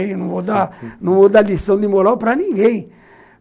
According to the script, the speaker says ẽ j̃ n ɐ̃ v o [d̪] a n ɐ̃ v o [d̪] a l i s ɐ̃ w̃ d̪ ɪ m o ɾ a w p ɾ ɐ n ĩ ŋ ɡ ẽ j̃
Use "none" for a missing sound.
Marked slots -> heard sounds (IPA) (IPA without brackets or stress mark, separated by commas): d̪, d̪